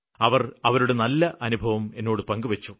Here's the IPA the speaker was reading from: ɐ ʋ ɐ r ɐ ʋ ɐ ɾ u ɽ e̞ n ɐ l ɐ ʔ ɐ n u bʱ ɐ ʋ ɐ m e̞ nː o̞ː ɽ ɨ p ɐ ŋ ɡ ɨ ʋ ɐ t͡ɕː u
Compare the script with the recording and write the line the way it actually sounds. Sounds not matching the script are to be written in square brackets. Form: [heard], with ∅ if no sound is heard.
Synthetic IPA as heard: ɐ ʋ ɐ r ɐ ʋ ɐ ɾ u ɽ e̞ n ɐ [lː] ɐ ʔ ɐ n u bʱ ɐ ʋ ɐ m e̞ nː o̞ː ɽ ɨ p ɐ ŋ ɡ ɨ ʋ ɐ t͡ɕː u